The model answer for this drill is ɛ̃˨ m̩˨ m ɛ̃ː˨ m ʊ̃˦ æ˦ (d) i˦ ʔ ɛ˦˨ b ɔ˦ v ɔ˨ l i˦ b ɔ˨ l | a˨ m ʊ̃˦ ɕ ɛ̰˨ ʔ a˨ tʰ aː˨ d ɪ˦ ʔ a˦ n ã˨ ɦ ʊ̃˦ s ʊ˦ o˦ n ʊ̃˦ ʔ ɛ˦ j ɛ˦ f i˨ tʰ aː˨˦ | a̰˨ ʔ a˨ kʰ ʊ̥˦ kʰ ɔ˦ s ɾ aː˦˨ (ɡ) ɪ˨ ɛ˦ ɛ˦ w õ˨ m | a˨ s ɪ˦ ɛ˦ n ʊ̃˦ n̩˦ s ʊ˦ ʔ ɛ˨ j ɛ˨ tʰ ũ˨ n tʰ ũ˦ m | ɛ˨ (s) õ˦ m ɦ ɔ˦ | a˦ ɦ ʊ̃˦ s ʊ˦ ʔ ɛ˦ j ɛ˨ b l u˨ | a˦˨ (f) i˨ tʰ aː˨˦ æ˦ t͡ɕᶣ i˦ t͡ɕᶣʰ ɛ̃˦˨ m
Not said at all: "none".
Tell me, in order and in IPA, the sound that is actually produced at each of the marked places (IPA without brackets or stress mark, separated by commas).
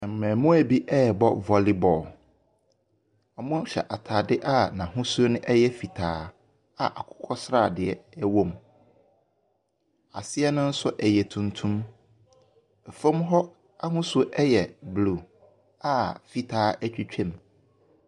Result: b, d, f, f